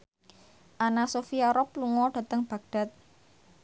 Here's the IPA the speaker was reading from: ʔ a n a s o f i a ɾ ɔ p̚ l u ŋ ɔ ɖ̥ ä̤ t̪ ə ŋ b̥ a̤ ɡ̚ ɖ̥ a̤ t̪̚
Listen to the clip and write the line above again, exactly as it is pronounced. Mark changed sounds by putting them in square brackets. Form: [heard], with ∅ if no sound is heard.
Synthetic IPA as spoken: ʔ a n a s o f i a ɾ ɔ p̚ l u ŋ ɔ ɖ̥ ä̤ t̪ ə ŋ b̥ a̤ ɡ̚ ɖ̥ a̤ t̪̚